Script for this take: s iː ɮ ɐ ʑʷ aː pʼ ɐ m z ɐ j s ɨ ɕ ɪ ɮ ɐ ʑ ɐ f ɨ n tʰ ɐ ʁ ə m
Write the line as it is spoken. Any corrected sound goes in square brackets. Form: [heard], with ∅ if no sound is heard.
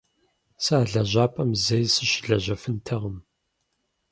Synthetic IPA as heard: s [aː] ɮ ɐ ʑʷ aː pʼ ɐ m z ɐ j s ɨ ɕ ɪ ɮ ɐ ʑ ɐ f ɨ n tʰ ɐ ʁ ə m